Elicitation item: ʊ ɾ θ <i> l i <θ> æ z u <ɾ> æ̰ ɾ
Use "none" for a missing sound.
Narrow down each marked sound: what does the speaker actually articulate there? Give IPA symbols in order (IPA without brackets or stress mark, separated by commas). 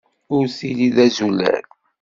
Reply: i, ð, l